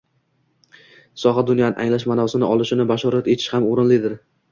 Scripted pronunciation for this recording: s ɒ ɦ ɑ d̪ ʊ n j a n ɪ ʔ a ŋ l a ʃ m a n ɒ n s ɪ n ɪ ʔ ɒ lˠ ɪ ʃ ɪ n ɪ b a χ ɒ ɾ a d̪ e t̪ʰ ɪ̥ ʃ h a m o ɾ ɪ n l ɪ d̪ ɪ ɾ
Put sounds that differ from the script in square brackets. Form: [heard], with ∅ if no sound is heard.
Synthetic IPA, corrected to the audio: s ɒ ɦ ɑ d̪ ʊ n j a n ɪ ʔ a ŋ l a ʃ m a n ɒ [∅] s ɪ n ɪ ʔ ɒ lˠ ɪ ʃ ɪ n ɪ b a [ʃ] ɒ ɾ a [t̪] e t̪ʰ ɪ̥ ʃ h a m o ɾ ɪ n l ɪ d̪ ɪ ɾ